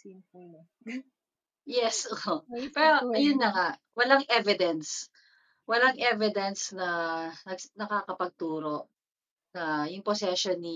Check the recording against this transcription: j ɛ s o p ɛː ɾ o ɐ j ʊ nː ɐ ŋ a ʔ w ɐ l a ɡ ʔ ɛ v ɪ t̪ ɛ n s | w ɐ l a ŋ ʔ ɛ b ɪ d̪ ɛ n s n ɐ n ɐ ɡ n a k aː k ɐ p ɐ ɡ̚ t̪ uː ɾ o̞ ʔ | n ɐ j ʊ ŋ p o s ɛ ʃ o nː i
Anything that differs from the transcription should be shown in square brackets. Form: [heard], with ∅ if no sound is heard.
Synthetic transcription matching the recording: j ɛ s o p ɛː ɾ o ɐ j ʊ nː ɐ ŋ a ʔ w ɐ l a [ŋ] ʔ ɛ v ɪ [d̪] ɛ n s | w ɐ l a ŋ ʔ ɛ [v] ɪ d̪ ɛ n s n ɐ n ɐ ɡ n [ɐ] k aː k ɐ p ɐ ɡ̚ t̪ uː ɾ o̞ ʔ | n ɐ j ʊ ŋ p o s ɛ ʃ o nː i